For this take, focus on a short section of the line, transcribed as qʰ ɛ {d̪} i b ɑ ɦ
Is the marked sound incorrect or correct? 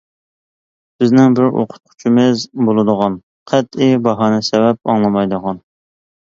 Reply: incorrect: t̪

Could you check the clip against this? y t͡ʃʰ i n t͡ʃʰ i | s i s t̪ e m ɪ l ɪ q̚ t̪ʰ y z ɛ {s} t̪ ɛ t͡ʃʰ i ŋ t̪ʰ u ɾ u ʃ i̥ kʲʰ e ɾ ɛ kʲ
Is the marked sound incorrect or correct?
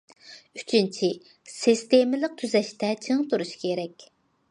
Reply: incorrect: ʃ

